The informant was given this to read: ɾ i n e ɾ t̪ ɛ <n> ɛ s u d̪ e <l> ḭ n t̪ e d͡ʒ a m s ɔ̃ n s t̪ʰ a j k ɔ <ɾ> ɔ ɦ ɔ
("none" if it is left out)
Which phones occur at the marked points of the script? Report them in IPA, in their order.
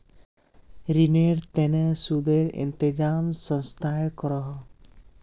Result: n, ɾ, ɾ

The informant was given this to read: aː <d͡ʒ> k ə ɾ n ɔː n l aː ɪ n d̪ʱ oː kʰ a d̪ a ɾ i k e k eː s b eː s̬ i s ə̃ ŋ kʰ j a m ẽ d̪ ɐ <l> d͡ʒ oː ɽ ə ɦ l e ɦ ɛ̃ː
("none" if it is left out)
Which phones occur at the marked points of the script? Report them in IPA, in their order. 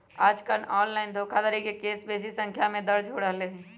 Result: d͡ʒ, ɾ

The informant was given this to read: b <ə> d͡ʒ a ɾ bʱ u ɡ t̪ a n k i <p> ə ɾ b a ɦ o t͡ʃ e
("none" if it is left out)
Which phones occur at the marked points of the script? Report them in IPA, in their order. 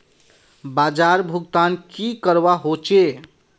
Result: a, k

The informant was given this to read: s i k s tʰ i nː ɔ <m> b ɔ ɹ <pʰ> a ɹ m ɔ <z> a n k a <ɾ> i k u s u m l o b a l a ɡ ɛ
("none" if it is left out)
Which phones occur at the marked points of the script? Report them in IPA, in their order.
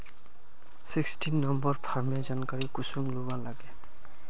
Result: m, pʰ, z, ɹ

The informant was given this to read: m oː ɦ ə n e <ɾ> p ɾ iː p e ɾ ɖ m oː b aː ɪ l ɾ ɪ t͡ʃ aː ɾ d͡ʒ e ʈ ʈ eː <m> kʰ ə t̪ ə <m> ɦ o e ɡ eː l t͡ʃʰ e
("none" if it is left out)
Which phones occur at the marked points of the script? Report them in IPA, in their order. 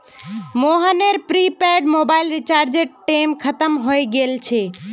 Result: ɾ, m, m

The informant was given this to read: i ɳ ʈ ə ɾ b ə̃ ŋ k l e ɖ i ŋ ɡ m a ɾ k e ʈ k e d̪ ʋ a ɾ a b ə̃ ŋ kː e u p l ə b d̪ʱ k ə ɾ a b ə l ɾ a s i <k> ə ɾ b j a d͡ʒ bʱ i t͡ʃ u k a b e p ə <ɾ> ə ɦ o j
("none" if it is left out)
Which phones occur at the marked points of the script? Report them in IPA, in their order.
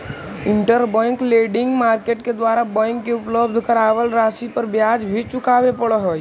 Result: p, ɽ

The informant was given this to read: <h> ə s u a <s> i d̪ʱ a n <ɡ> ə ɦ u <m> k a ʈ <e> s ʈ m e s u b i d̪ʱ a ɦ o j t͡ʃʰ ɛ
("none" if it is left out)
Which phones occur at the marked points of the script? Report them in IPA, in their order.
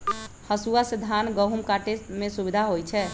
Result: h, s, ɡ, m, e

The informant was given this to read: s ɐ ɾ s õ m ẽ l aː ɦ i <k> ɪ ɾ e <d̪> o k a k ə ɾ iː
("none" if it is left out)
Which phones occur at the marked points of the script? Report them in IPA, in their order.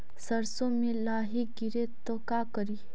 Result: ɡ, t̪

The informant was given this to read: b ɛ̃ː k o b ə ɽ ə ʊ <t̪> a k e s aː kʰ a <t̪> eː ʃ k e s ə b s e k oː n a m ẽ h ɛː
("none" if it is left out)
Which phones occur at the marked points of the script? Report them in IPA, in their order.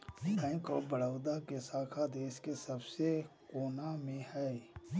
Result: d̪, d̪

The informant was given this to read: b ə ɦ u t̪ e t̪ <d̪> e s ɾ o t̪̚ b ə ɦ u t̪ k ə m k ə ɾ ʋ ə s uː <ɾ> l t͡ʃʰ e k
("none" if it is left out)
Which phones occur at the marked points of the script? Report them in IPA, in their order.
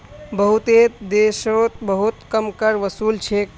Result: d̪, none

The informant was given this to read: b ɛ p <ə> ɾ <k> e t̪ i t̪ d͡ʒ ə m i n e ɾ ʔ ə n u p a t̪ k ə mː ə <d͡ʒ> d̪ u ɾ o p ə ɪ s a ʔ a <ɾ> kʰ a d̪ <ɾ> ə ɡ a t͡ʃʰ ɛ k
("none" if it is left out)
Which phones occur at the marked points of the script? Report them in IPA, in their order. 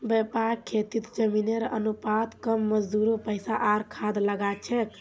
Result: a, kʰ, d͡ʒ, ɾ, l

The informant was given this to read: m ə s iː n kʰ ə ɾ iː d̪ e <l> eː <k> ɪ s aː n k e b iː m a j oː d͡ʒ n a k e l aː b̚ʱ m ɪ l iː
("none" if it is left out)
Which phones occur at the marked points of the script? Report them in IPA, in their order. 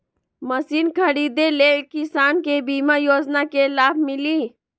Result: l, k

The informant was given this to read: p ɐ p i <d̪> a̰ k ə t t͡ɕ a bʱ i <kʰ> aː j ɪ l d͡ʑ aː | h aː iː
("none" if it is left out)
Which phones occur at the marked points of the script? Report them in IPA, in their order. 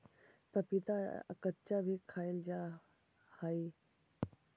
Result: t̪, kʰ

